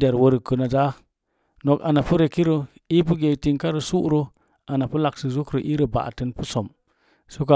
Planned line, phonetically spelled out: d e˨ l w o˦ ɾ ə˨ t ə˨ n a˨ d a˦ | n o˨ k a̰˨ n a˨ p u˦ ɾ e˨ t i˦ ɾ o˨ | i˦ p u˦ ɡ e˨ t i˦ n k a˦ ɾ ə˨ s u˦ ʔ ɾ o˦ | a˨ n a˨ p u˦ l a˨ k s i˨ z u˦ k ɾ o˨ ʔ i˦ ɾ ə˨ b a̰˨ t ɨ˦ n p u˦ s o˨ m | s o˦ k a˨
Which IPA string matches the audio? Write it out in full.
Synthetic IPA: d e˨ ɾ w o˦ ɾ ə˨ k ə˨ n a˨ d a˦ | n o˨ k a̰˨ n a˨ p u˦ ɾ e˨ k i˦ ɾ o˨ | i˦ p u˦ ɡ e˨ t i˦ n k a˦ ɾ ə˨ s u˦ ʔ ɾ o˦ | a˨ n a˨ p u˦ l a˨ k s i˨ z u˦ k ɾ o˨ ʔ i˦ ɾ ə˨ b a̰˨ t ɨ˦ n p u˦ s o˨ m | s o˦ k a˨

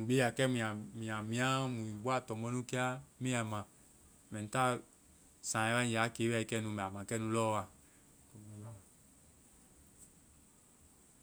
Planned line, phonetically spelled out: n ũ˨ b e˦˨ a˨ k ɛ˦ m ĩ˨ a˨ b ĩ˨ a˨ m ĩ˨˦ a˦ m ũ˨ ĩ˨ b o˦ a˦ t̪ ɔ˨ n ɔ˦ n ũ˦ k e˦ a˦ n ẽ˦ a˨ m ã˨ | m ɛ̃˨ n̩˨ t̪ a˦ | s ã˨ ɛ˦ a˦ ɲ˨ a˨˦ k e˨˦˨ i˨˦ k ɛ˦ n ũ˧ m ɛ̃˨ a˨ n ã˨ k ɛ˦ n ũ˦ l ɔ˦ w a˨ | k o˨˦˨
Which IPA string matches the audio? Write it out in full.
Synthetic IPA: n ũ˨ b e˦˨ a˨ k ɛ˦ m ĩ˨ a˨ m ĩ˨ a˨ m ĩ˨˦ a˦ m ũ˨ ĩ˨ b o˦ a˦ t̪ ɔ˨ m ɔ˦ n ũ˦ k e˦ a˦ m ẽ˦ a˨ m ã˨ | m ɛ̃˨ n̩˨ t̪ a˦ | s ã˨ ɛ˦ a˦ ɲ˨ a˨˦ k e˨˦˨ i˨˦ k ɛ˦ n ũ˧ m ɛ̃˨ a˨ m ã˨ k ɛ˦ n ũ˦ l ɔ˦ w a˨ | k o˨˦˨

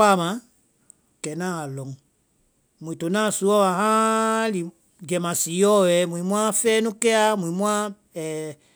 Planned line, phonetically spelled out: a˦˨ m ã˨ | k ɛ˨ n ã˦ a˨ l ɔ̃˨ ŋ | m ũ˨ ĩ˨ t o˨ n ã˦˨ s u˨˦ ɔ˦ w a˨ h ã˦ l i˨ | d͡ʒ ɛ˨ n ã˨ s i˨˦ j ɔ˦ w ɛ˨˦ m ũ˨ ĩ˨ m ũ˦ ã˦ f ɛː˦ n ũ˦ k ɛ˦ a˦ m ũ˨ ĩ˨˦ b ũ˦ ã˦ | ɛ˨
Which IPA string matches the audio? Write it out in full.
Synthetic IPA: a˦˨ m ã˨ | k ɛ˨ n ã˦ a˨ l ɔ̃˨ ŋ | m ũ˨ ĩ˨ t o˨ n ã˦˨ s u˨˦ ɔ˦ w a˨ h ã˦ l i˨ | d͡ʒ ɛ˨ m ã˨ s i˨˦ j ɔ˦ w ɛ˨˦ m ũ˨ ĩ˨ m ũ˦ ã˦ f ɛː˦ n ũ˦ k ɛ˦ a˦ m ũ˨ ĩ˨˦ m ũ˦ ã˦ | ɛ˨

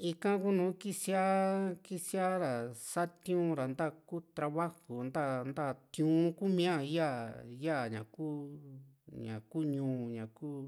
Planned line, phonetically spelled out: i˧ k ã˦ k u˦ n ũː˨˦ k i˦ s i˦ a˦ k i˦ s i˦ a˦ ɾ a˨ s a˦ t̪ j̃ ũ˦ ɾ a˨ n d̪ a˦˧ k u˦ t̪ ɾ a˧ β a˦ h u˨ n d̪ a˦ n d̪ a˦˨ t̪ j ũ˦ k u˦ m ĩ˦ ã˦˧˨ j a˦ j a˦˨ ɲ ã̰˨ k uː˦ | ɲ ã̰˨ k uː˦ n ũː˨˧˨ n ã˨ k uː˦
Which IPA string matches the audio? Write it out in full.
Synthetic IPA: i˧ k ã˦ k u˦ n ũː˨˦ k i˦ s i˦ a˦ k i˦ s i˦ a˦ ɾ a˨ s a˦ t̪ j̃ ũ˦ ɾ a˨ n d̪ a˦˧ k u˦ t̪ ɾ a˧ β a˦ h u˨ n d̪ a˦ n d̪ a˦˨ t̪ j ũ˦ k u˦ m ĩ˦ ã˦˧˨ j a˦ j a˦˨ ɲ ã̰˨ k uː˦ | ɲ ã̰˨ k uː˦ ɲ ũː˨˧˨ ɲ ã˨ k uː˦

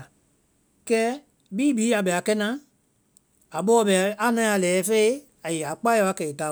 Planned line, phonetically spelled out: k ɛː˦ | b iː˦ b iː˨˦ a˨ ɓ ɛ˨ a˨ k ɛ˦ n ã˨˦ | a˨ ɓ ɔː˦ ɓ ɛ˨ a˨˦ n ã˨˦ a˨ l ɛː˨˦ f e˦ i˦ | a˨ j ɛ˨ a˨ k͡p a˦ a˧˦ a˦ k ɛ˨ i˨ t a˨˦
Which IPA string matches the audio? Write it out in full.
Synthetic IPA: k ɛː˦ | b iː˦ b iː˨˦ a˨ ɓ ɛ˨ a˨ k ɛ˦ n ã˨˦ | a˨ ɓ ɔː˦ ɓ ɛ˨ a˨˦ n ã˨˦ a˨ l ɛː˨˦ f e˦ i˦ | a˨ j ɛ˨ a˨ k͡p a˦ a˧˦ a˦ k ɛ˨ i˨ t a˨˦

